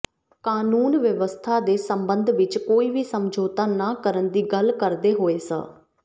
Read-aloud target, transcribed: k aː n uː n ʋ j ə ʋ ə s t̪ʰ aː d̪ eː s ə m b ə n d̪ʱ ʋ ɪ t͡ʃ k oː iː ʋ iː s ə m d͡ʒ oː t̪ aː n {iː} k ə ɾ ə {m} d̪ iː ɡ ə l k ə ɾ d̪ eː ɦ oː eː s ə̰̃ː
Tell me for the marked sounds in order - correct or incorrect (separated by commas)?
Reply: incorrect, incorrect